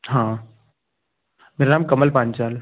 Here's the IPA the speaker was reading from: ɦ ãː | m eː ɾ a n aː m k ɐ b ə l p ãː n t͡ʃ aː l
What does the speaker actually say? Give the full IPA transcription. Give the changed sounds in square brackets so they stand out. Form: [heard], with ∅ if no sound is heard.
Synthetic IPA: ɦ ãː | m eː ɾ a n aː m k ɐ [m] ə l p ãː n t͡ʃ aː l